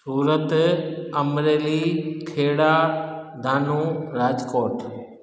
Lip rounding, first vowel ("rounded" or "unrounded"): rounded